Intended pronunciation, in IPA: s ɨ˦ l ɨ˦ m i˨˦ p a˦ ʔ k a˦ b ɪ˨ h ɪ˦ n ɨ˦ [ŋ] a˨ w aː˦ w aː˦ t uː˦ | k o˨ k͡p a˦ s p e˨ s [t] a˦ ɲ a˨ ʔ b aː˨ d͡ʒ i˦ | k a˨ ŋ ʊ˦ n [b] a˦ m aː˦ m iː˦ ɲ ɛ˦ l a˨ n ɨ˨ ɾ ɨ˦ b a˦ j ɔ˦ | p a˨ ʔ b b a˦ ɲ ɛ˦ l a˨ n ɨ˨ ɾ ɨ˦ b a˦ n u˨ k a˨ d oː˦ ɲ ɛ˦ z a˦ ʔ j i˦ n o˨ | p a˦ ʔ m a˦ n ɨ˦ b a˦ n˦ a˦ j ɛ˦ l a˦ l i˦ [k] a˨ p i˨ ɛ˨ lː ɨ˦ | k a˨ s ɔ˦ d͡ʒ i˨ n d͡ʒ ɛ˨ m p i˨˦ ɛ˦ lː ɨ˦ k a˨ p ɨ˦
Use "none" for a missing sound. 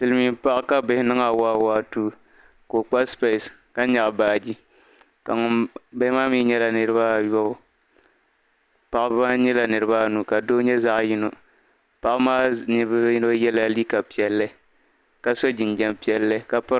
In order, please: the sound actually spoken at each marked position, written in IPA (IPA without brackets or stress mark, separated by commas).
ŋ, k, b, k